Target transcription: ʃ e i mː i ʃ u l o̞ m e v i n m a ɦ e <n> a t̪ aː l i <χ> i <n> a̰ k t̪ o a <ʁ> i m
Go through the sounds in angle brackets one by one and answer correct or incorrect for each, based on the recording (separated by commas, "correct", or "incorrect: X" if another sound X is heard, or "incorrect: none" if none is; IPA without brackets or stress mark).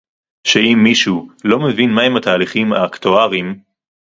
incorrect: m, correct, incorrect: m, correct